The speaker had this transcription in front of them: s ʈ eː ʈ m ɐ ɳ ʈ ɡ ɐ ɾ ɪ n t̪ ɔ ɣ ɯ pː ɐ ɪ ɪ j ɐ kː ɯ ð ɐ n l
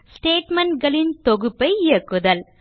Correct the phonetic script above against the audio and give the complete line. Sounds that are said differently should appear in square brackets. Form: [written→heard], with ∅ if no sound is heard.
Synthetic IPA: s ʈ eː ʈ m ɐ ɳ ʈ ɡ ɐ [ɾ→ɭ] ɪ n t̪ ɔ ɣ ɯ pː ɐ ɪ ɪ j ɐ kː ɯ ð ɐ [n→∅] l